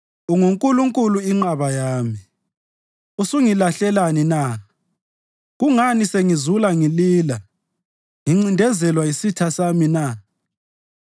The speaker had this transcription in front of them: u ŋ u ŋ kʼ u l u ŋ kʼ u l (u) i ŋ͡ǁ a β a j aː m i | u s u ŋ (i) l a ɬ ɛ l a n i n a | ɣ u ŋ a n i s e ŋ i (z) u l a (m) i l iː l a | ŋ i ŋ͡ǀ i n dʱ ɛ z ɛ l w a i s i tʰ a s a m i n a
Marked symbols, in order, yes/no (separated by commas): yes, yes, yes, no